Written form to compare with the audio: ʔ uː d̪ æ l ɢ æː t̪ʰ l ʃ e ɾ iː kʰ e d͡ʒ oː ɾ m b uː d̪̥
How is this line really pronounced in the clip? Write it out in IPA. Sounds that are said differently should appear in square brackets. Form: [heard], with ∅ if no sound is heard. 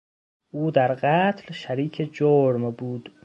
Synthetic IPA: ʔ uː d̪ æ [ɾ] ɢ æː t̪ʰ l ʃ [æ] ɾ iː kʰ e d͡ʒ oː ɾ m b uː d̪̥